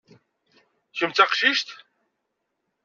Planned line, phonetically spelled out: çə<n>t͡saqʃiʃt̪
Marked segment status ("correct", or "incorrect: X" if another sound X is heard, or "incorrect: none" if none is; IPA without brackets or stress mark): incorrect: m